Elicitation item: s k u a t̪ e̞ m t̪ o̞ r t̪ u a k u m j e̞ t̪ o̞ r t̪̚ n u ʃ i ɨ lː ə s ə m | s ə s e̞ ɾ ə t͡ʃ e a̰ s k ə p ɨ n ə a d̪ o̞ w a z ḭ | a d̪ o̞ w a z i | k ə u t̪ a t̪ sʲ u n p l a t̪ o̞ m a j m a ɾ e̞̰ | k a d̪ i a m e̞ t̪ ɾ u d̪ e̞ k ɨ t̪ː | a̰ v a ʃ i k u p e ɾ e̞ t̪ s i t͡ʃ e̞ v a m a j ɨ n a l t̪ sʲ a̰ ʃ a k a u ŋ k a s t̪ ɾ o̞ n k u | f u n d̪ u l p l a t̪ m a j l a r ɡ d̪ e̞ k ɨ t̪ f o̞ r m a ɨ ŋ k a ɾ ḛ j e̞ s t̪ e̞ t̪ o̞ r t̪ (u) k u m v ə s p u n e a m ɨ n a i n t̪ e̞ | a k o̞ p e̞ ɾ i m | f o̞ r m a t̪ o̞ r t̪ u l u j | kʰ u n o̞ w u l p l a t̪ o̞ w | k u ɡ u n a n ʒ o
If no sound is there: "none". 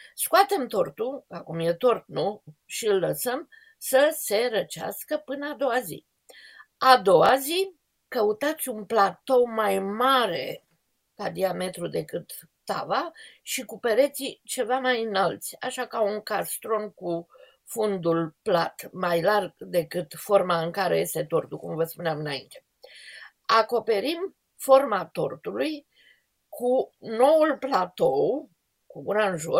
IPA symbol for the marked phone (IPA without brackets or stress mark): u